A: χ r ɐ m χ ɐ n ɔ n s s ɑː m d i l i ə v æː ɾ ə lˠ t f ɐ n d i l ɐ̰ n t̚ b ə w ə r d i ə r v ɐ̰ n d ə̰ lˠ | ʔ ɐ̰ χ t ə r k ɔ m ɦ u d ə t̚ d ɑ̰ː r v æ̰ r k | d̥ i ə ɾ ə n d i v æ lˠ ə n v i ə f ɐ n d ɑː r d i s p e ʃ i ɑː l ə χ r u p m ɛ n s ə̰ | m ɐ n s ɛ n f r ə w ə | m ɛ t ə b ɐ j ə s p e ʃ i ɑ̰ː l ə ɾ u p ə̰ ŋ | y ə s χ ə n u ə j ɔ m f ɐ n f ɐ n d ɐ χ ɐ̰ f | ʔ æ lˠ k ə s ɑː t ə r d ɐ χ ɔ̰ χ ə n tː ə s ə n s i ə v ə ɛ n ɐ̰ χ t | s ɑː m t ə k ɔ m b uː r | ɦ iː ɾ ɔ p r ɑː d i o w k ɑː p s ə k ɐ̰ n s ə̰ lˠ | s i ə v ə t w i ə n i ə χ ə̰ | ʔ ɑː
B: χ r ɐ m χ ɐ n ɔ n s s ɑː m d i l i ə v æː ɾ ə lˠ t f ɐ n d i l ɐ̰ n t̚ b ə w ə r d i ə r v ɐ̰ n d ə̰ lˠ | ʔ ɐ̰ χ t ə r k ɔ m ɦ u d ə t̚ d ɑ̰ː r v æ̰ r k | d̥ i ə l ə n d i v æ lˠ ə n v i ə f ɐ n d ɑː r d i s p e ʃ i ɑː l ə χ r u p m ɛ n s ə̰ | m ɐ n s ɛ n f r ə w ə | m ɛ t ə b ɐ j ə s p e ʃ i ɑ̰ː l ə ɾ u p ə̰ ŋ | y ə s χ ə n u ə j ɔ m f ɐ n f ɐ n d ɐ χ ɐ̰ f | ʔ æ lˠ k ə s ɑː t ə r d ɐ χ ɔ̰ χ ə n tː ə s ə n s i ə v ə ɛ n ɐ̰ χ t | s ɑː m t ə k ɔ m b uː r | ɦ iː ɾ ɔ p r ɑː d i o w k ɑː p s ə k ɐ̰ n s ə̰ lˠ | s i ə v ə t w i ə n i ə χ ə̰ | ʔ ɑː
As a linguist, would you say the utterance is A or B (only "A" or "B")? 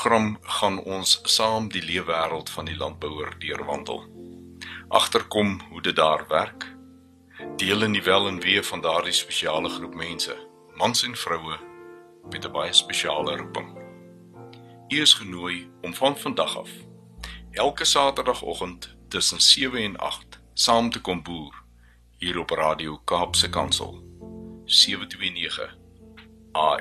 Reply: B